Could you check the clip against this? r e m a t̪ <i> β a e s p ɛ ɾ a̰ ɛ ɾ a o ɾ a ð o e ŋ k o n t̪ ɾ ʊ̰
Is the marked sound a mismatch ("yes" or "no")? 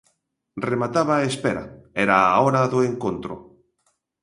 yes